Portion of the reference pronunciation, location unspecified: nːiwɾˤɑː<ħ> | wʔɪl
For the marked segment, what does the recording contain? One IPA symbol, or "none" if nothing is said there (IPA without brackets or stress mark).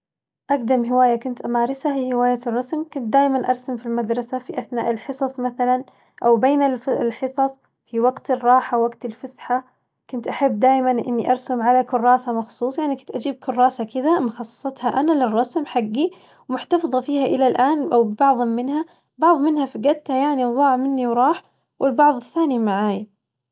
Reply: ħ